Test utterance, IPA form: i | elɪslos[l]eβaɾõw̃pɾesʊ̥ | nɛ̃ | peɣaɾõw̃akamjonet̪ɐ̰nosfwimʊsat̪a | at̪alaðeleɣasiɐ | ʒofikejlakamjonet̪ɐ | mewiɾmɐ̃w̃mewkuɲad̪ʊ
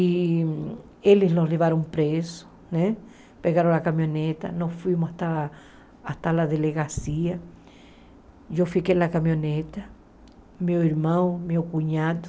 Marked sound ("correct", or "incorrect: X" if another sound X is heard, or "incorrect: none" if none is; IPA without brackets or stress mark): correct